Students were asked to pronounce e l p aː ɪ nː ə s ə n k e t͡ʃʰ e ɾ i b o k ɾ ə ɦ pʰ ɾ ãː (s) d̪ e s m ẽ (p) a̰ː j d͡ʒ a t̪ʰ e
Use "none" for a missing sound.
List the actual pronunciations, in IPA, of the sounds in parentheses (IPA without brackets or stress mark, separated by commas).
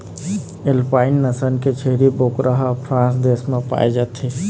s, p